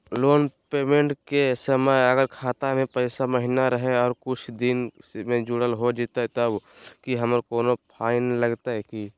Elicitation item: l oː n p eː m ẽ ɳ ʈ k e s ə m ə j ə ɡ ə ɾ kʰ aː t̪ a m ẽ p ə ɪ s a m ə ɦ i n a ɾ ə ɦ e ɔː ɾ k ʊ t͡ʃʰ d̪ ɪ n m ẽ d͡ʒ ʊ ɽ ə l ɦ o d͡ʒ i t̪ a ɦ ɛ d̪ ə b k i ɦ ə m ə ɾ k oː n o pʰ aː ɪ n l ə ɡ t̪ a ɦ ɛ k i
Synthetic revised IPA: l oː n p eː m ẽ ɳ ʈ k e s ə m ə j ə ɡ ə ɾ kʰ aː t̪ a m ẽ p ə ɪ s a m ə ɦ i n a ɾ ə ɦ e ɔː ɾ k ʊ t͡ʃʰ d̪ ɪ n m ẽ d͡ʒ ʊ ɽ ə l ɦ o d͡ʒ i t̪ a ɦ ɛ t̪ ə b k i ɦ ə m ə ɾ k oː n o pʰ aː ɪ n l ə ɡ t̪ a ɦ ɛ k i